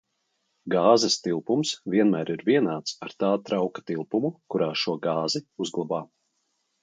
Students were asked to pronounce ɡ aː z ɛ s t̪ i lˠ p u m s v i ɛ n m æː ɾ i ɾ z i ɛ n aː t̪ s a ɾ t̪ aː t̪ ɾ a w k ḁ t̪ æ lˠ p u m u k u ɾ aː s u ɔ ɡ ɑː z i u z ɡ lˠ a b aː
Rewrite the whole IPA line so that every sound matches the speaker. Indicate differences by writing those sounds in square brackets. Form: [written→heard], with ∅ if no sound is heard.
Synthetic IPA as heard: ɡ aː z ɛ s t̪ i lˠ p u m s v i ɛ n m æː ɾ i ɾ [z→v] i ɛ n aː t̪ s a ɾ t̪ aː t̪ ɾ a w k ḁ t̪ [æ→i] lˠ p u m u k u ɾ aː [s→ʃ] u ɔ ɡ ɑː z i u z ɡ lˠ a b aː